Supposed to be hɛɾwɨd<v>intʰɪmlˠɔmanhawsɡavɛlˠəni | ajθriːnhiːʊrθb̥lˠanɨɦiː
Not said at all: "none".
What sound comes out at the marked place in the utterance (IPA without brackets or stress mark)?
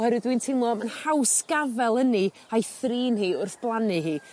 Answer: w